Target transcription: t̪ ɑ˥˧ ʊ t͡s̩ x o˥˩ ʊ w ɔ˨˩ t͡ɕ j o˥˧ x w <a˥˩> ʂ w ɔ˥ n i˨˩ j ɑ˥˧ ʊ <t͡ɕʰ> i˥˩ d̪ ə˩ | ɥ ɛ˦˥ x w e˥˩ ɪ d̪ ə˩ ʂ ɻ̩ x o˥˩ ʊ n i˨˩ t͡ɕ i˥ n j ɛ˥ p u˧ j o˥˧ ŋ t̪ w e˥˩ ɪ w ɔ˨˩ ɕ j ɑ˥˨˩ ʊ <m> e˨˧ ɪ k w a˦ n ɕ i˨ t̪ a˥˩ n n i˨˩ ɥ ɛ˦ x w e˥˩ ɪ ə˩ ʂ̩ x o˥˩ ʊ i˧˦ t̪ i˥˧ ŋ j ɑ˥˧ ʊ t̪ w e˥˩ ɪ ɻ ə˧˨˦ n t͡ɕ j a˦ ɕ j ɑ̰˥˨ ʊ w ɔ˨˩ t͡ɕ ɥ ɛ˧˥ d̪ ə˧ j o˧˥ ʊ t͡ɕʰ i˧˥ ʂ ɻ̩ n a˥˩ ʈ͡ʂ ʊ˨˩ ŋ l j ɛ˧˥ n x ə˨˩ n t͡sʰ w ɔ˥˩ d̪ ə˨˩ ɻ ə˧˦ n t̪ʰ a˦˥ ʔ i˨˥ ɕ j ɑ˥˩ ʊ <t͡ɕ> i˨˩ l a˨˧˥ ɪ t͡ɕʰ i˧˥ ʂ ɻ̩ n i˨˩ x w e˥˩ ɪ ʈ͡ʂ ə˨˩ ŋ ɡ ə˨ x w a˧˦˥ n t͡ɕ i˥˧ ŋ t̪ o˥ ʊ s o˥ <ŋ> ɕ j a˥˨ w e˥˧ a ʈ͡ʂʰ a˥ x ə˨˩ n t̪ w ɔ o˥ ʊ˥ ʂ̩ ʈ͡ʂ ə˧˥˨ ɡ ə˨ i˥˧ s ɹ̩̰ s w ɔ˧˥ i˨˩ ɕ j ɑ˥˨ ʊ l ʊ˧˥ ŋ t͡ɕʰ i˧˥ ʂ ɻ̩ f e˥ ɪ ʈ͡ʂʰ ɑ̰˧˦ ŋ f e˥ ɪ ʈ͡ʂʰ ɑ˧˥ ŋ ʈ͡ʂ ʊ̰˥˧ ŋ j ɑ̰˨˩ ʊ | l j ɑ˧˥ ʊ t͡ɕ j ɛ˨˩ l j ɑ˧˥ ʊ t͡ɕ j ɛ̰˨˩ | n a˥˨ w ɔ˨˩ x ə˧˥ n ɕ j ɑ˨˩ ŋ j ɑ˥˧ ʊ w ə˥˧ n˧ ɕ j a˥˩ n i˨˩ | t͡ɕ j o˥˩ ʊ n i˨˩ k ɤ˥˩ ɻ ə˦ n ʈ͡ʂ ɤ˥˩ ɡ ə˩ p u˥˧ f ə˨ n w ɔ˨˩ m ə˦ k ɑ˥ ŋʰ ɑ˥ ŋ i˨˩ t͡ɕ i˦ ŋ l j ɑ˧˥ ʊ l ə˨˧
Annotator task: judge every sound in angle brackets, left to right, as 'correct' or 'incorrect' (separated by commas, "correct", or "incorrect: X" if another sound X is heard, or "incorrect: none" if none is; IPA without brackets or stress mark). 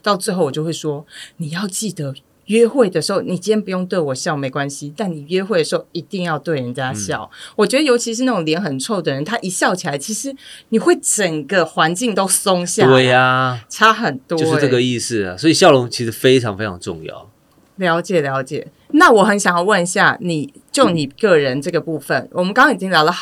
incorrect: e˥˩, incorrect: t͡ɕ, correct, incorrect: t͡ɕʰ, correct